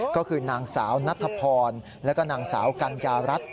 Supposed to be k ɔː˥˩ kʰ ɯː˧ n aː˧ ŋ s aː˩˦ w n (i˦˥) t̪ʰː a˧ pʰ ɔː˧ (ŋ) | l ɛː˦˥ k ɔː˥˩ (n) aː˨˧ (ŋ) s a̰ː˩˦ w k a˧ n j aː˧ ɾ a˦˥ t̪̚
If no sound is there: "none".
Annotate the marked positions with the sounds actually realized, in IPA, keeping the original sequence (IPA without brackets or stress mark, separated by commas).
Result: a˦˥, n, n, ŋ